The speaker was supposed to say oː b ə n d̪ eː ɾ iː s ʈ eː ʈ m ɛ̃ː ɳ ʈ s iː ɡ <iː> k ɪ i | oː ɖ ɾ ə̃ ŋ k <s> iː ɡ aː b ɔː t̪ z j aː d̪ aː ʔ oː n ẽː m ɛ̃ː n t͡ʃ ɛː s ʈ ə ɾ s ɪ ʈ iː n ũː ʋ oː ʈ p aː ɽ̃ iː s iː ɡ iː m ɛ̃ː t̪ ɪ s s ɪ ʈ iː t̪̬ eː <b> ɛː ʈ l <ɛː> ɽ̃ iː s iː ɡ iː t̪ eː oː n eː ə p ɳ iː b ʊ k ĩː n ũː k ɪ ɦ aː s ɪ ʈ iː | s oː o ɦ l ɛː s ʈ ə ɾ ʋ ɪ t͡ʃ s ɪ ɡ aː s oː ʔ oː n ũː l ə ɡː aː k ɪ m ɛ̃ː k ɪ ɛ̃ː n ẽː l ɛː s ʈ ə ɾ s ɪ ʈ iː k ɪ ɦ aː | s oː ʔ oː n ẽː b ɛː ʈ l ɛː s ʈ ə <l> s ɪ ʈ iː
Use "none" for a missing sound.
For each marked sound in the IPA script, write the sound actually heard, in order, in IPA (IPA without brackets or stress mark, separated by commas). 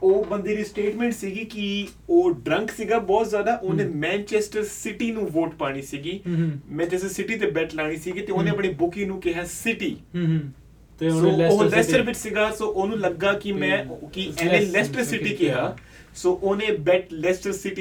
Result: iː, s, b, aː, ɾ